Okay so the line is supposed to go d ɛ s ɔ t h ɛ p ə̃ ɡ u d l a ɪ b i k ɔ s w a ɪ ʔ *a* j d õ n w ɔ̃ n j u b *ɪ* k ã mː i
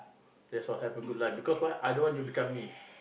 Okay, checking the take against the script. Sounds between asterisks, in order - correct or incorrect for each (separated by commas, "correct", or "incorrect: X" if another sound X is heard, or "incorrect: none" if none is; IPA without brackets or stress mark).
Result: correct, incorrect: i